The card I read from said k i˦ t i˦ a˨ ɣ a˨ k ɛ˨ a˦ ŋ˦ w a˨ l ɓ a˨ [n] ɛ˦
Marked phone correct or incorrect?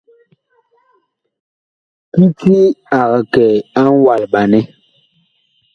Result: correct